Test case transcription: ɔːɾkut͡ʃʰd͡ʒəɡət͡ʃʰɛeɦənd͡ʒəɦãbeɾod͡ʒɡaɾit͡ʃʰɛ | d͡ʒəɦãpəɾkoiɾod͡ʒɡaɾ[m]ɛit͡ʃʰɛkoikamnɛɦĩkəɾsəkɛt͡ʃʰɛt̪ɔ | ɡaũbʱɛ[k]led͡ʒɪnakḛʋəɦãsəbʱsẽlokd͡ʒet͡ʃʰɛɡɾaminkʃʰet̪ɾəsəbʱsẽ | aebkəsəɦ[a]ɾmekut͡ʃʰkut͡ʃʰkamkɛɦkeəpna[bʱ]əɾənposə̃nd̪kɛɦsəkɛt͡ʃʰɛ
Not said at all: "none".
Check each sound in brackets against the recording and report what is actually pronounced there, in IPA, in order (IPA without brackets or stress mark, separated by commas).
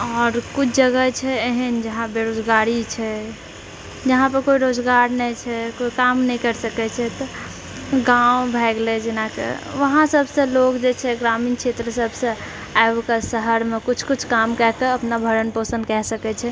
n, ɡ, ə, bʱ